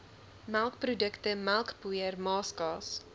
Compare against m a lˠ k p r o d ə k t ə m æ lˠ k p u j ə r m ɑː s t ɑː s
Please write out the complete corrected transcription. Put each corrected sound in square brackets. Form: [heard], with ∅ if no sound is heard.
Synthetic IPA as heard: m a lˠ k p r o d ə k t ə m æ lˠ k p u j ə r m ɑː s [k] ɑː s